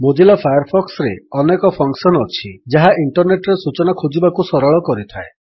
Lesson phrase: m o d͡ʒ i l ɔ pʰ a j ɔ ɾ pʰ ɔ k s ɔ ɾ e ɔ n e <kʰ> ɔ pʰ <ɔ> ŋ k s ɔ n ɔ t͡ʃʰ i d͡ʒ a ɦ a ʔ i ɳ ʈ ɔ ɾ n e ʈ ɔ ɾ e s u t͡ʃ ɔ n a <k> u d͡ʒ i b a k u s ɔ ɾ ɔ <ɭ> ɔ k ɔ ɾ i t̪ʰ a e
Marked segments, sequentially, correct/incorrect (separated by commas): incorrect, correct, incorrect, correct